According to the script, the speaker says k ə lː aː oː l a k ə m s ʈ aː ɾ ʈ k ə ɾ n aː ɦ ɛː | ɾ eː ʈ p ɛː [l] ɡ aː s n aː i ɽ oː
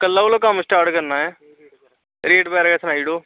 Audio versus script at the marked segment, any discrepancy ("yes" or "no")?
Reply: yes